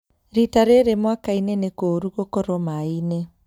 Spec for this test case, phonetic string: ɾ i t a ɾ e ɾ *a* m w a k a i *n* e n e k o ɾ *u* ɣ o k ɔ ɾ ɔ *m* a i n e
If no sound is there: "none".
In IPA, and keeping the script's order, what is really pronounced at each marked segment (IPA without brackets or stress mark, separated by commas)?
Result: e, n, u, m